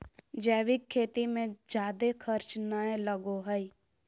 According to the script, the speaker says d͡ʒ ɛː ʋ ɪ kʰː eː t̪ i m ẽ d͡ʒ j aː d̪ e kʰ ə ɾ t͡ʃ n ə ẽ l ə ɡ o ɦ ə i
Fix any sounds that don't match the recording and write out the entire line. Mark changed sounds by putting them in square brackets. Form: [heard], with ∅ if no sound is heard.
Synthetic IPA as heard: d͡ʒ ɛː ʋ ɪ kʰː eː t̪ i m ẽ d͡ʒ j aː d̪ e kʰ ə ɾ t͡ʃ n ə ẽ l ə ɡ o ɦ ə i